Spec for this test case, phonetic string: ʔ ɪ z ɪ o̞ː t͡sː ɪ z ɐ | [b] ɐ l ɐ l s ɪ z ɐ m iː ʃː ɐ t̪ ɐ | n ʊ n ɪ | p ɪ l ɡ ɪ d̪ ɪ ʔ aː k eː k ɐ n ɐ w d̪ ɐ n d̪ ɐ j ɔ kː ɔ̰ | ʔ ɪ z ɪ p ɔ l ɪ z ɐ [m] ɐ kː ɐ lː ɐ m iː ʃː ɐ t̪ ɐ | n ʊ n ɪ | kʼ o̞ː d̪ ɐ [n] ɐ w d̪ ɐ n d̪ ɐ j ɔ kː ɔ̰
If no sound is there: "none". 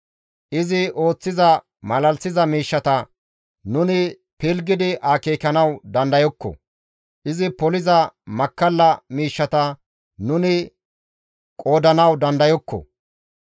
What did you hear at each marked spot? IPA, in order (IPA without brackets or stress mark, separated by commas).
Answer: m, m, n